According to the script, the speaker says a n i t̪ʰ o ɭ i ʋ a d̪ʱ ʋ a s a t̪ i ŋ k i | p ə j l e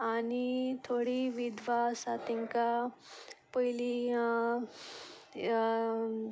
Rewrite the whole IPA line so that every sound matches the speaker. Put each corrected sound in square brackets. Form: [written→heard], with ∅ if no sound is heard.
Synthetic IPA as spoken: a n i t̪ʰ o [ɭ→ɽ] i ʋ [a→i] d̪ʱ ʋ a s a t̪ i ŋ k [i→a] | p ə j l [e→i]